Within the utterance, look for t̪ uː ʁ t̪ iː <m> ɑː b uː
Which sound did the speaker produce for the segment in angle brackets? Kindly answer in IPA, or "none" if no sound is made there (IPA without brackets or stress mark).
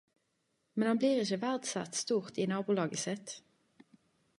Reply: n